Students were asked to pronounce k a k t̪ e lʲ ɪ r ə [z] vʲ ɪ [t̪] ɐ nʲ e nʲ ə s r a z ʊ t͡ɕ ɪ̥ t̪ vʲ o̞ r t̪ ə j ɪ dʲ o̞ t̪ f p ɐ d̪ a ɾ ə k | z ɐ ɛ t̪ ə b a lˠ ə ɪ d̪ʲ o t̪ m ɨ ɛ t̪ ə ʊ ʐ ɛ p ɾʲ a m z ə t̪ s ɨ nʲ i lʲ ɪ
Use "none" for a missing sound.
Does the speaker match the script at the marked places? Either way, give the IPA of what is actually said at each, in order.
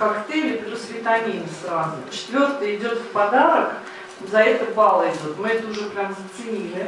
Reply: s, t̪

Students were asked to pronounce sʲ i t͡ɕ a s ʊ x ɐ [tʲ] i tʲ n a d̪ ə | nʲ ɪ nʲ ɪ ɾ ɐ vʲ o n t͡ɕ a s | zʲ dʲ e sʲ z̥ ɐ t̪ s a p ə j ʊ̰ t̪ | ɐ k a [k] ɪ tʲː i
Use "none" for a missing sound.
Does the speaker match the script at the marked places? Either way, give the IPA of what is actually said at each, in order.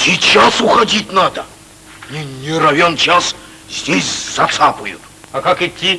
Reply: dʲ, k

